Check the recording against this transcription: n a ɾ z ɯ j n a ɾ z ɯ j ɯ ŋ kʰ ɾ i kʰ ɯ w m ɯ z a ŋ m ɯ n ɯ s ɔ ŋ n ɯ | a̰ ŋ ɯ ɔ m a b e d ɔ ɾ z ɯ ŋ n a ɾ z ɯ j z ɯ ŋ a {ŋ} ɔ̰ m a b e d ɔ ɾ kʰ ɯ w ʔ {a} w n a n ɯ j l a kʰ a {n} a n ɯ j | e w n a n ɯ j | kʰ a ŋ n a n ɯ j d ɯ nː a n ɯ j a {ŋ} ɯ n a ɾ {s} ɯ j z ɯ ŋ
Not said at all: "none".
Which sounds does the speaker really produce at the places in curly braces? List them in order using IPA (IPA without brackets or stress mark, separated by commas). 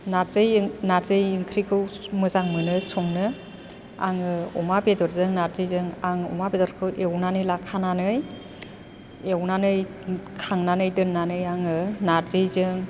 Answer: ŋ, e, n, ŋ, z